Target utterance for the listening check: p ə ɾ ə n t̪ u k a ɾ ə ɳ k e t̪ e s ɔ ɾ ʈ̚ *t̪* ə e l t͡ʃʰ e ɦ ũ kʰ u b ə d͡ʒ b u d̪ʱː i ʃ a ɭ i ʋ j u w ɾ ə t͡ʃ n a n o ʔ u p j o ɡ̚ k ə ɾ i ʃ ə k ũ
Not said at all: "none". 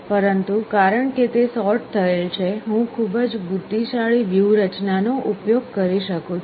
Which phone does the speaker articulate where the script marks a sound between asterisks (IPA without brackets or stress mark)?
t̪ʰ